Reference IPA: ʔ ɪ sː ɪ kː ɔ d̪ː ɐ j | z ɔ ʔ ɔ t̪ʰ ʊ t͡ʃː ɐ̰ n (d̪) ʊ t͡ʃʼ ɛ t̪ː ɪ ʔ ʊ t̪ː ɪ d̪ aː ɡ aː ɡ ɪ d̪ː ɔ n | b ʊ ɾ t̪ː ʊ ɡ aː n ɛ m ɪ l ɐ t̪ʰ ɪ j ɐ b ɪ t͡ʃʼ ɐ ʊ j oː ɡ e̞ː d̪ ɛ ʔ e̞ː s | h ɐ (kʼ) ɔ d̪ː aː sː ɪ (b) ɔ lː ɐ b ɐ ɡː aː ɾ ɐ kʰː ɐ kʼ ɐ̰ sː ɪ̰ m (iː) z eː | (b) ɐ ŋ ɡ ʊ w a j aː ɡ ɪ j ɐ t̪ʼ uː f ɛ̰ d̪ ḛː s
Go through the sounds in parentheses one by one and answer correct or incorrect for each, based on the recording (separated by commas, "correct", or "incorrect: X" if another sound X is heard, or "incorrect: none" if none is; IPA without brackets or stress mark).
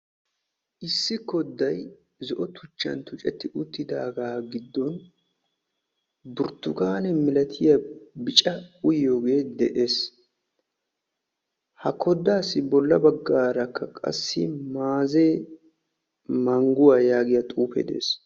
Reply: incorrect: t̪, incorrect: k, correct, incorrect: aː, incorrect: m